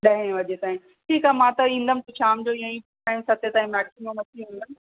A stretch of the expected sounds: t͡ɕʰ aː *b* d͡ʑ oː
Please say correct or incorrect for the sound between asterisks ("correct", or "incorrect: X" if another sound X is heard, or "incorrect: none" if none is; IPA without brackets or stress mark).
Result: incorrect: m